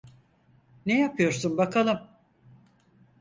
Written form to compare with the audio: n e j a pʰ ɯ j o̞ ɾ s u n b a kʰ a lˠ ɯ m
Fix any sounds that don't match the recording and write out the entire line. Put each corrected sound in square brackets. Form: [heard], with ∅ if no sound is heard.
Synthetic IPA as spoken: n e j a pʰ ɯ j o̞ ɾ s u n b a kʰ a lˠ ɯ m